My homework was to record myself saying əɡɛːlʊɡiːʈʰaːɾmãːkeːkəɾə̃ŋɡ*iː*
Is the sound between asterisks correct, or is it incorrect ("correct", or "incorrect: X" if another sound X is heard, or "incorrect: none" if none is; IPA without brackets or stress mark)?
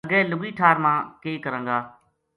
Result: incorrect: aː